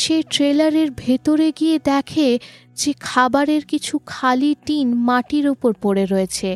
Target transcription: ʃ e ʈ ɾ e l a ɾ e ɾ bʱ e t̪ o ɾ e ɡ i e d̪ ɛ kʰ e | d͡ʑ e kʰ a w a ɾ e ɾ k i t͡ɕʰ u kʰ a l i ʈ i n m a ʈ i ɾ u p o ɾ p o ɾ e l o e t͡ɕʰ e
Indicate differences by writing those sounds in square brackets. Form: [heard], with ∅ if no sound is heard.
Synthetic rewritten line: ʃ e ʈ ɾ e l a ɾ e ɾ bʱ e t̪ o ɾ e ɡ i e d̪ ɛ kʰ e | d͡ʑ e kʰ a [b] a ɾ e ɾ k i t͡ɕʰ u kʰ a l i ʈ i n m a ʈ i ɾ u p o ɾ p o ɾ e [ɾ] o e t͡ɕʰ e